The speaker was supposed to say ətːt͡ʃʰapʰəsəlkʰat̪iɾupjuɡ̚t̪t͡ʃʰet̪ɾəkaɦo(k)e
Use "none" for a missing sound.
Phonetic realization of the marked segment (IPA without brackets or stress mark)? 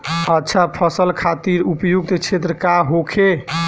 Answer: kʰ